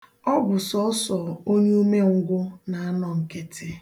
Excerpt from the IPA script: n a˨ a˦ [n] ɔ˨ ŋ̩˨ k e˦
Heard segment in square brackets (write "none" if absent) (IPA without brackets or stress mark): n